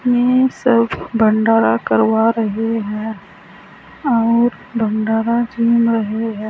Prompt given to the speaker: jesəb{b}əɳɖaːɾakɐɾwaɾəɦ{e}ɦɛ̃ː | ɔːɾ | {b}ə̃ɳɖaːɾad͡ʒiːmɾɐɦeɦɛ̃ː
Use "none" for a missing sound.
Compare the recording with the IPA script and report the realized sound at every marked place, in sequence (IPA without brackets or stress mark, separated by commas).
b, e, b